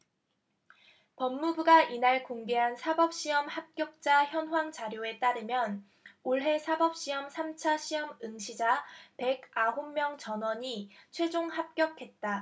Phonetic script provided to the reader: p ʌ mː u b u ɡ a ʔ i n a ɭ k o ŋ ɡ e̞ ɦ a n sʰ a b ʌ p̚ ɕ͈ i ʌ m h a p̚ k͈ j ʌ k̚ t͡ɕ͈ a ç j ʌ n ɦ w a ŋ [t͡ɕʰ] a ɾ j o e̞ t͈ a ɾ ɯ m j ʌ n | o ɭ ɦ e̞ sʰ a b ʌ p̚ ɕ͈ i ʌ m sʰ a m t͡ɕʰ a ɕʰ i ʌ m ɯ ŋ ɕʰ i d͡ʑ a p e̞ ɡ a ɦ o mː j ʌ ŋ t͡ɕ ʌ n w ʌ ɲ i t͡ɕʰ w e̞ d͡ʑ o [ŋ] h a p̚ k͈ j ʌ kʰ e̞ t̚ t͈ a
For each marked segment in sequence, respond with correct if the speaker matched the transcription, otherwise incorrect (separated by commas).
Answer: incorrect, correct